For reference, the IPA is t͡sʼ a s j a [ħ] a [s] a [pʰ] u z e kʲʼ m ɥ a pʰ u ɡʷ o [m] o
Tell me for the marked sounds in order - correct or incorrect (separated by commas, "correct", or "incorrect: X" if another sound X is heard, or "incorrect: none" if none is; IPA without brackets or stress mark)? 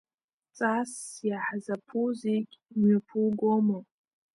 correct, incorrect: z, correct, correct